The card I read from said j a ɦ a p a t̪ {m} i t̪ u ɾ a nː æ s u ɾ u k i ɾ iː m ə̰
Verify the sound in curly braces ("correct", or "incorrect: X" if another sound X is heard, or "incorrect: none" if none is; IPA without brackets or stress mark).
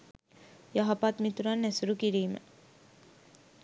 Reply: correct